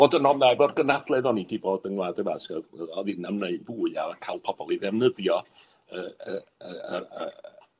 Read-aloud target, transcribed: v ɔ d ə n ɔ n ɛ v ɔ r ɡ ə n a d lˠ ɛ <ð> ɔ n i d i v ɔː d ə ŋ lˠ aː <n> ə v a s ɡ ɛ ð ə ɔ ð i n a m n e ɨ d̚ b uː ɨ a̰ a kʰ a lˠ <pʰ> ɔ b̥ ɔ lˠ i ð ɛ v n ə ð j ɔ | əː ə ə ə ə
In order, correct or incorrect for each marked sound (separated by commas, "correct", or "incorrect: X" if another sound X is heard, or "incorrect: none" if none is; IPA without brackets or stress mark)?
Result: correct, incorrect: d, correct